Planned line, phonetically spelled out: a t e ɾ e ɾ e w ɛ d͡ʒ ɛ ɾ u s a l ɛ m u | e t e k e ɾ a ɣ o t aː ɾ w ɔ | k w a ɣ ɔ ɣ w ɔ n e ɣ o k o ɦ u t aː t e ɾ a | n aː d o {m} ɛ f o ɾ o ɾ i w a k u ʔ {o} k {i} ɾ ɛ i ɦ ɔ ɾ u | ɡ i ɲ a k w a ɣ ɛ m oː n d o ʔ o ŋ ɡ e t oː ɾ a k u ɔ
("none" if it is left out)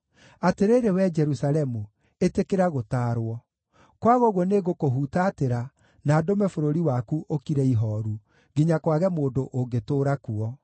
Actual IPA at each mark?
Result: m, o, i

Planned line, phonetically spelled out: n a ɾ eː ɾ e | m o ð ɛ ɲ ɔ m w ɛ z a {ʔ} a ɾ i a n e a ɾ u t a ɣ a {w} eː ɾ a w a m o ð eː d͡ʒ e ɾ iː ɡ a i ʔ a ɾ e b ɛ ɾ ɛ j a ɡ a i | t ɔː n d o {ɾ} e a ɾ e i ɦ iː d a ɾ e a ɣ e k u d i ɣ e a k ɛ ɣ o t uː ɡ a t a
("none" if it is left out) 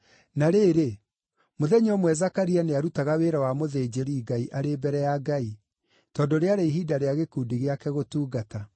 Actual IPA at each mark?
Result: k, w, ɾ

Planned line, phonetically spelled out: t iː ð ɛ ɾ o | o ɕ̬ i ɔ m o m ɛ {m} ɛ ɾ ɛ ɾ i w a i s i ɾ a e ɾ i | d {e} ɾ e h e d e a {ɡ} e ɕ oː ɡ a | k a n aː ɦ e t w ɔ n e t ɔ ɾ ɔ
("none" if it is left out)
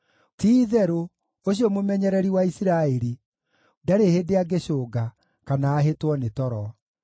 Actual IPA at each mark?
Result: ɲ, a, ɡ

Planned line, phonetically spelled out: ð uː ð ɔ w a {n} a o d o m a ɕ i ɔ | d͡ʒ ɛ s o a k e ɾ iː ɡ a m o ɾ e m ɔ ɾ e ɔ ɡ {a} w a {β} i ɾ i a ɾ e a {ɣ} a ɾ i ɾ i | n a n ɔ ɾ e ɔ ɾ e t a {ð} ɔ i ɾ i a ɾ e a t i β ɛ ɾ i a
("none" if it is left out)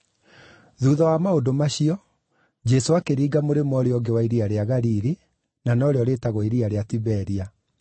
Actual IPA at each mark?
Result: m, e, none, ɣ, ɣ

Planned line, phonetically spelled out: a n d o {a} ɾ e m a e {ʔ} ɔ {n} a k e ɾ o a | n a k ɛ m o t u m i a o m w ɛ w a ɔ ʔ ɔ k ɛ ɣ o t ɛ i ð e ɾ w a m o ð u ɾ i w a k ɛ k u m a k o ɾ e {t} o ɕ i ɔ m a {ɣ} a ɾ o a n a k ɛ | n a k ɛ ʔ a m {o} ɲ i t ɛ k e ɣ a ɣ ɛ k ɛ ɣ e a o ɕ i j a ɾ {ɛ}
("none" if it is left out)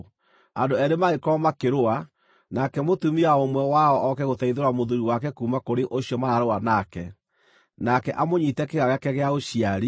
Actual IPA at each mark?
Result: ɛ, k, m, ʔ, none, o, i

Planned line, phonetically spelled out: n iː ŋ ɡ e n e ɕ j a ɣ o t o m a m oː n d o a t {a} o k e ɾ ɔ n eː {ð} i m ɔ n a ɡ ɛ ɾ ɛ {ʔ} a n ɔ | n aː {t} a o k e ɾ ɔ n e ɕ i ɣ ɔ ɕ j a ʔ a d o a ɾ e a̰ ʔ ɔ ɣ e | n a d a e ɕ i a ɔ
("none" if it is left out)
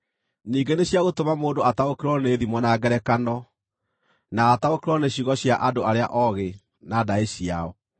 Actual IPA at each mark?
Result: a, ð, k, t

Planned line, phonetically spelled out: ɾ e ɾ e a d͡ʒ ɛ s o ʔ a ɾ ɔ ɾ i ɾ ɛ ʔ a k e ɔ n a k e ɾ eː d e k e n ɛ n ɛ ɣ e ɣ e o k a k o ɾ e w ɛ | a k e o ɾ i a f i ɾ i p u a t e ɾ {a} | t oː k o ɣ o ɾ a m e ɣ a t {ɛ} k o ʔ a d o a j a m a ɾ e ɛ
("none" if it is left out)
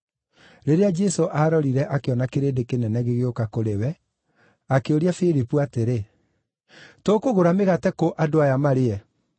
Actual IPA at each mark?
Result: e, ɛ

